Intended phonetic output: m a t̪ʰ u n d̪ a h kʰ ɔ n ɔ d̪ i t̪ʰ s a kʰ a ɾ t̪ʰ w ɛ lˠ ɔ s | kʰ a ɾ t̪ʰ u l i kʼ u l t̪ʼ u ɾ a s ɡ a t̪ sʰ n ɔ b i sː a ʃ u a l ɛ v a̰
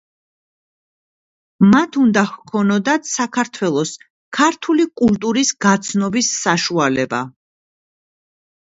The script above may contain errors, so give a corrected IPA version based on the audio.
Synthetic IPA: m a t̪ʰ u n d̪ a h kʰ ɔ n ɔ d̪ a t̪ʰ s a kʰ a ɾ t̪ʰ w ɛ lˠ ɔ s | kʰ a ɾ t̪ʰ u l i kʼ u l t̪ʼ u ɾ i s ɡ a t̪ sʰ n ɔ b i sː a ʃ u a l ɛ b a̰